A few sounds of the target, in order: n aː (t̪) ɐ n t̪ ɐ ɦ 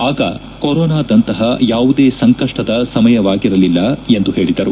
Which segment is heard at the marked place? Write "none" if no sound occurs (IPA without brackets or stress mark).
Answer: d̪